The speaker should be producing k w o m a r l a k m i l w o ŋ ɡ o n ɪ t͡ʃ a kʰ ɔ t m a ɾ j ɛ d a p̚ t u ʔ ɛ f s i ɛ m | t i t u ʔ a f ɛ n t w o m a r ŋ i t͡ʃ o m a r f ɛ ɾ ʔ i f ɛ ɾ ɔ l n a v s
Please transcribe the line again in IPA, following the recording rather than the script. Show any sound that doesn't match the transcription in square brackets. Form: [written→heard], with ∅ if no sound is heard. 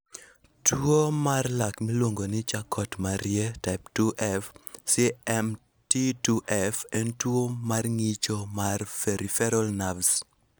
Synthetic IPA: [k→t] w o m a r l a k m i l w o ŋ ɡ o n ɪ t͡ʃ a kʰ ɔ t m a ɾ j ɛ [d→t] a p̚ t u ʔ ɛ f s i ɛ m | t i t u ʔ [a→ɛ] f ɛ n t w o m a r ŋ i t͡ʃ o m a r f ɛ ɾ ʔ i f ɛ ɾ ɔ l n a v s